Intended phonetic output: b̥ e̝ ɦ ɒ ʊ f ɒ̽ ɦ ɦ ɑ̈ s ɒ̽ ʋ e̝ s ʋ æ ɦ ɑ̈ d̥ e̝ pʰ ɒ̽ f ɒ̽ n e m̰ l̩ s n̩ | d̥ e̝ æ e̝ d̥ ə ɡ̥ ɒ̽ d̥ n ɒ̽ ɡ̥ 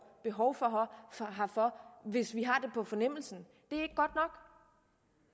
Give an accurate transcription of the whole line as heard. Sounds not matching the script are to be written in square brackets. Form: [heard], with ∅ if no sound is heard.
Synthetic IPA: b̥ e̝ ɦ ɒ ʊ f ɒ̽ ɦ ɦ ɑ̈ [f] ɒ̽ ʋ e̝ s ʋ [i] ɦ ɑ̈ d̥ e̝ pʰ ɒ̽ f ɒ̽ n e m̰ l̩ s n̩ | d̥ e̝ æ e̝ [ɡ̥] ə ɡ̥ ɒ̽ d̥ n ɒ̽ ɡ̥